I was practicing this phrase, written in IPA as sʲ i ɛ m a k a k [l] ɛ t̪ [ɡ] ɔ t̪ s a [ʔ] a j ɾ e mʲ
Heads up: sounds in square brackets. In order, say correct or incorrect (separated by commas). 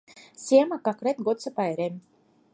incorrect, correct, incorrect